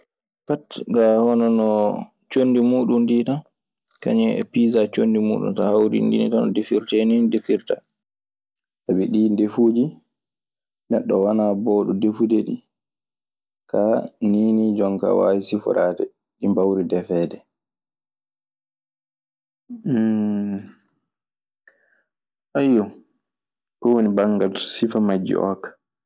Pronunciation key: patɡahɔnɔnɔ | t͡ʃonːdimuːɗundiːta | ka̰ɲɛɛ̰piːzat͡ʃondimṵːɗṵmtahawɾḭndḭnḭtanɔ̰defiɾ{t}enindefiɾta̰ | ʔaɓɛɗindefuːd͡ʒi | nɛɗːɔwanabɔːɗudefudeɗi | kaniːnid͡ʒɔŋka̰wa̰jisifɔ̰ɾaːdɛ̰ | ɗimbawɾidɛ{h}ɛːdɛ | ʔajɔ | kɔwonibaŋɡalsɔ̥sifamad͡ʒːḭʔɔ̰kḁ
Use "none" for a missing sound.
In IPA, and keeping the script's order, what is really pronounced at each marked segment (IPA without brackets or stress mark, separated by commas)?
t, f